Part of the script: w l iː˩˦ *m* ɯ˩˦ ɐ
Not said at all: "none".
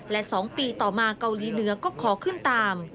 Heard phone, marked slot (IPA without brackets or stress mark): n